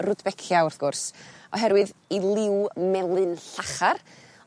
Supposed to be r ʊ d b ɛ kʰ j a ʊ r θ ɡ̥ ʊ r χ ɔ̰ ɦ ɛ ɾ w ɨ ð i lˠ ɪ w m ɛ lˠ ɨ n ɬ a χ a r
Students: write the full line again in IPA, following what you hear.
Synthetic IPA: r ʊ d b ɛ kʰ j a ʊ r θ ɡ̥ ʊ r s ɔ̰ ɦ ɛ ɾ w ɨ ð i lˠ ɪ w m ɛ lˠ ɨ n ɬ a χ a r